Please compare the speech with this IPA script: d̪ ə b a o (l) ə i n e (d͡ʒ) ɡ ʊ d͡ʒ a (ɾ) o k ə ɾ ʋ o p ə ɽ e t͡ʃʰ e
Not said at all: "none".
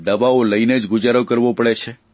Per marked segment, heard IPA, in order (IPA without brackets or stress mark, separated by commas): l, d͡ʒ, ɾ